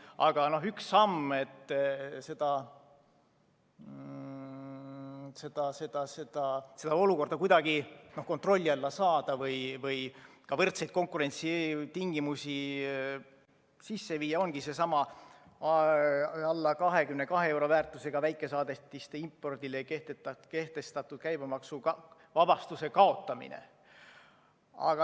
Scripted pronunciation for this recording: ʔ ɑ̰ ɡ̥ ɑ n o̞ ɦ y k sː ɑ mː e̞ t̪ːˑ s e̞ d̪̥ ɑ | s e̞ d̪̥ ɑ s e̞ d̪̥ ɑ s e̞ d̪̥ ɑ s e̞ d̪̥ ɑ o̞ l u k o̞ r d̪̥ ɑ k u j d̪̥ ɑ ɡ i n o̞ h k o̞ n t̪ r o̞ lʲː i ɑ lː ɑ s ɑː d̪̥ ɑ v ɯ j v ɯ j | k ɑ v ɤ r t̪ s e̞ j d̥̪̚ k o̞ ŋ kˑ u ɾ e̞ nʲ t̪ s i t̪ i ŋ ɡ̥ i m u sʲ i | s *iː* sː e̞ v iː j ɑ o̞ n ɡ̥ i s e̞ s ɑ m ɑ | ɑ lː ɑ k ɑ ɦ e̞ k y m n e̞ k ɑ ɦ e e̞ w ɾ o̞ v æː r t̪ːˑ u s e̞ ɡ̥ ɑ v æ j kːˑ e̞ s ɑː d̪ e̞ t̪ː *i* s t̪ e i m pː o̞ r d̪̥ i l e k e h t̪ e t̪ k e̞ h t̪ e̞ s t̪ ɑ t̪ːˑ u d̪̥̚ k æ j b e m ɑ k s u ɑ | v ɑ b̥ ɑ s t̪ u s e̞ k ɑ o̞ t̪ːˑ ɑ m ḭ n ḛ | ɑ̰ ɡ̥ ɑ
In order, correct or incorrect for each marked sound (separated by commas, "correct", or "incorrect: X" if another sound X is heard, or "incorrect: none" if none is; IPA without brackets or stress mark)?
incorrect: i, correct